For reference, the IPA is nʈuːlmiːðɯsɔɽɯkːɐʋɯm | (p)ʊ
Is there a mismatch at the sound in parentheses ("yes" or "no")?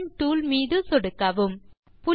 no